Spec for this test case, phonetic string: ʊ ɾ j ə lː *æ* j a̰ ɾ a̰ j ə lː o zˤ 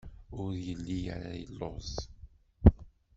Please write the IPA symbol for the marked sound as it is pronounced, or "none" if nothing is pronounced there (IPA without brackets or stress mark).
i